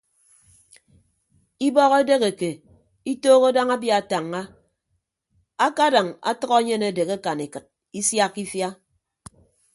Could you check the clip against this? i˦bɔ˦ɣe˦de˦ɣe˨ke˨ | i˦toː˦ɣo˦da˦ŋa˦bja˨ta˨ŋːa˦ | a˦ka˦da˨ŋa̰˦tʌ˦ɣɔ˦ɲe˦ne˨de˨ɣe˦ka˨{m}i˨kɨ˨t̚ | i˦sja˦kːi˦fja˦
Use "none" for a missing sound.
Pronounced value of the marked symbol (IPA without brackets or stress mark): n